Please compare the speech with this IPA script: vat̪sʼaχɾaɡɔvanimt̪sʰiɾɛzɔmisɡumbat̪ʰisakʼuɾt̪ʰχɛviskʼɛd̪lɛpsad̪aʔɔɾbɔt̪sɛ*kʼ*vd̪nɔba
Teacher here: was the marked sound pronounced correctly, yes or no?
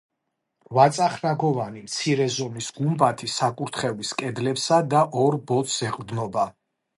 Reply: no